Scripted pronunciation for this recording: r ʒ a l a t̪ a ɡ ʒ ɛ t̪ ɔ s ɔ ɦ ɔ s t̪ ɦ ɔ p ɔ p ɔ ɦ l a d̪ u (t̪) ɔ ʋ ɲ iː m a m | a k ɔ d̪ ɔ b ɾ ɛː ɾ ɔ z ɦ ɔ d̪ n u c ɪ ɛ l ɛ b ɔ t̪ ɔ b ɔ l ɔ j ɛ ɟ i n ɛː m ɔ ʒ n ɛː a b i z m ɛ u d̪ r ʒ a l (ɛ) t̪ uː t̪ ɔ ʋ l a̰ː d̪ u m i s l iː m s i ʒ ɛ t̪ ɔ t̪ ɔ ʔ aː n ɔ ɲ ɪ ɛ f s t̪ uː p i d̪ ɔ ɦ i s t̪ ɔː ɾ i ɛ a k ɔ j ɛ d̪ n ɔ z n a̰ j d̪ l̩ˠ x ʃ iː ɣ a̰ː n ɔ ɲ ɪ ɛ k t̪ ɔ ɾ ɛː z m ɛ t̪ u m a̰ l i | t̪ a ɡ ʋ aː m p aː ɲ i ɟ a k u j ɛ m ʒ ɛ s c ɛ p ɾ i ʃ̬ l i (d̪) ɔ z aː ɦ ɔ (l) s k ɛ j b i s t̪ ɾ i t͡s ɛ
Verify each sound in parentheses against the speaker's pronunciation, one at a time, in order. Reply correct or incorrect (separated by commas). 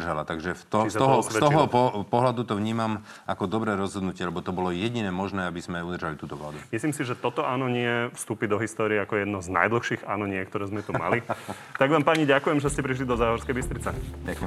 correct, incorrect, correct, incorrect